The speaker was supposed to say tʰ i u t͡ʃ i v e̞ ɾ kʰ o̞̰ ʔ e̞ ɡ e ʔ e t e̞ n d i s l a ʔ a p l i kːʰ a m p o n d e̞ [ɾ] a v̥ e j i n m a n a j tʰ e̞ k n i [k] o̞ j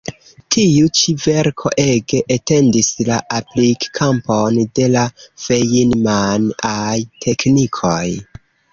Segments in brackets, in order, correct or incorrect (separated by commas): incorrect, incorrect